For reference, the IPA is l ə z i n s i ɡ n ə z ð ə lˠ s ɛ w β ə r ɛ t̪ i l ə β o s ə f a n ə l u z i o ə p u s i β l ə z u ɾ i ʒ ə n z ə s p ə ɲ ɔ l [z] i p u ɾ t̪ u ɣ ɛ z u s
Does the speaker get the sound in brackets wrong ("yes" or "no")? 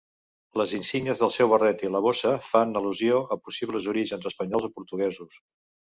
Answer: no